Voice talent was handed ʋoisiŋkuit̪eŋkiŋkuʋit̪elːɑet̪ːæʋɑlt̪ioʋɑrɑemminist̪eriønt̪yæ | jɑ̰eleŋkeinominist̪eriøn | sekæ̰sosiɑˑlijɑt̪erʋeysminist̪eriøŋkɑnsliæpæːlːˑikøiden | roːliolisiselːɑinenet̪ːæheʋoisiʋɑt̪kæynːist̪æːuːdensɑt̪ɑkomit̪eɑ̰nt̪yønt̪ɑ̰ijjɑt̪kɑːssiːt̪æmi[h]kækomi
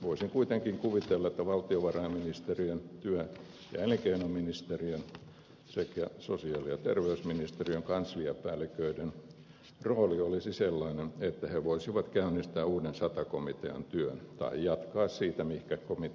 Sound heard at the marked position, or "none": h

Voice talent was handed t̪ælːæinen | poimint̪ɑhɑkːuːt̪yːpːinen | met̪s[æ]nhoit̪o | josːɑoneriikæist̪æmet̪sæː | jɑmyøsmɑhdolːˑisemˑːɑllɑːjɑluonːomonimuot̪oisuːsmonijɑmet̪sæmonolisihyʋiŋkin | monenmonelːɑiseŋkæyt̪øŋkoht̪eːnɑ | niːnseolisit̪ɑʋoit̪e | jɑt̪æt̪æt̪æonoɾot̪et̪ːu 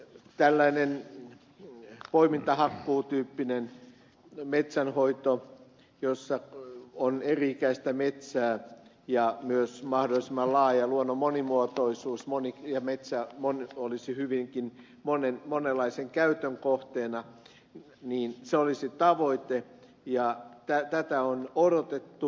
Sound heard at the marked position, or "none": æ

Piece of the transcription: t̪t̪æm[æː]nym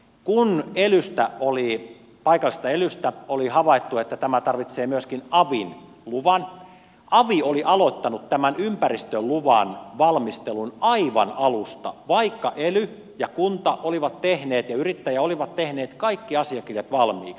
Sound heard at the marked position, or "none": æ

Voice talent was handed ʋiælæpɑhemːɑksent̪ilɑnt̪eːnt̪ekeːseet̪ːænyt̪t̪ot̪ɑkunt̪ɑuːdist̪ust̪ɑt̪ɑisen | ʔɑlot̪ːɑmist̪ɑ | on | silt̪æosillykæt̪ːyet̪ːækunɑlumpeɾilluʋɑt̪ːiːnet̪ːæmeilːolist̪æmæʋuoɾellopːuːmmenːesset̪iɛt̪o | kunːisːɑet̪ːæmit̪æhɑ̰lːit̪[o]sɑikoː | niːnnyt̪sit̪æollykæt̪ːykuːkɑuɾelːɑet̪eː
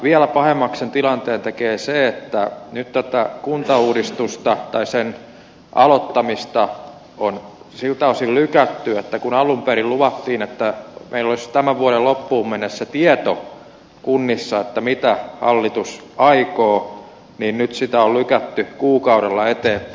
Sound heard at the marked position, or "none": u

